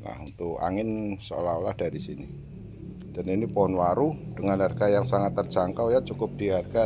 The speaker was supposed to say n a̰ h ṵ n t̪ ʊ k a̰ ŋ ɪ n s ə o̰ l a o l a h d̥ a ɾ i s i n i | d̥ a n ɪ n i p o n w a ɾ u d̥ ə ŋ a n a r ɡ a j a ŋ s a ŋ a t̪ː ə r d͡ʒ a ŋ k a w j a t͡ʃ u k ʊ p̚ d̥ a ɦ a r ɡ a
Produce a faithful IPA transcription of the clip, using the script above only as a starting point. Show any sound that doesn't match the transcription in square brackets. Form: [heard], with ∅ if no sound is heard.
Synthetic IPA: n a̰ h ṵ n t̪ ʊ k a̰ ŋ ɪ n s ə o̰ l a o l a h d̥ a ɾ i s i n i | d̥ a n [i] n i p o n w a ɾ u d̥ ə ŋ a n a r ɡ a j a ŋ s a ŋ a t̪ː ə r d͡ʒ a ŋ k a w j a t͡ʃ u k ʊ p̚ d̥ [i] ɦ a r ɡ a